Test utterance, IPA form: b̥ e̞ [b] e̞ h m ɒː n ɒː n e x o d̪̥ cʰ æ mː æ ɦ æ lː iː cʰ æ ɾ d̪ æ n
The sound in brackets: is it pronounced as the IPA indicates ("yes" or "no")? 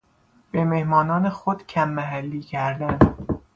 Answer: no